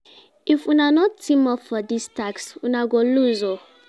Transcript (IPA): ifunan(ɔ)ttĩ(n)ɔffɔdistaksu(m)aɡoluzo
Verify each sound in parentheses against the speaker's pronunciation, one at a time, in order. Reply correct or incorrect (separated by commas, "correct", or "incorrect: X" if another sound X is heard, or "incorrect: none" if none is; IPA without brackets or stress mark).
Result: correct, incorrect: m, incorrect: n